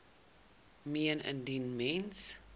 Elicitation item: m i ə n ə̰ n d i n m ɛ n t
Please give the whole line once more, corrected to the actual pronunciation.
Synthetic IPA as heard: m i ə n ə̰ n d i n m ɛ n s